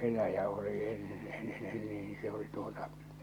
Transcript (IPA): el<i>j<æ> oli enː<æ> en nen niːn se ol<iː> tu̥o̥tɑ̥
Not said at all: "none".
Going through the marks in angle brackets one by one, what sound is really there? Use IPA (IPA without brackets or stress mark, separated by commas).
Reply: æ, æ, e, i